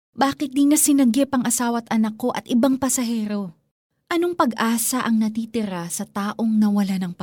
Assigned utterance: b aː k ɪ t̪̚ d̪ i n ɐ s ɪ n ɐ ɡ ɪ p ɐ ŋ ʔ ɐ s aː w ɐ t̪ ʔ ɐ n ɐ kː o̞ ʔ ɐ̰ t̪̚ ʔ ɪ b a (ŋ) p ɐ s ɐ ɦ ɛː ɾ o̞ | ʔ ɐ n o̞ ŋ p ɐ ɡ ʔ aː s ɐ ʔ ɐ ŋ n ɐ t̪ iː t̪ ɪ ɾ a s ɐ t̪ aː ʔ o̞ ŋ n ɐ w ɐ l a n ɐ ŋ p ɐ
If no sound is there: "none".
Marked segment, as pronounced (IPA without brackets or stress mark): ŋ